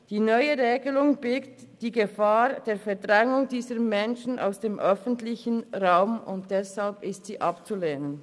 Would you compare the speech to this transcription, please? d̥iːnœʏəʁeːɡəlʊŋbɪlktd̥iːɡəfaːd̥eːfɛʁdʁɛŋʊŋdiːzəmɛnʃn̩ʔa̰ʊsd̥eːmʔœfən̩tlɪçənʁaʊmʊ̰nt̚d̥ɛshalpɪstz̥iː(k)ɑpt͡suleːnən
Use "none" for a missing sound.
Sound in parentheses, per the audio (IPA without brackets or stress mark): ʔ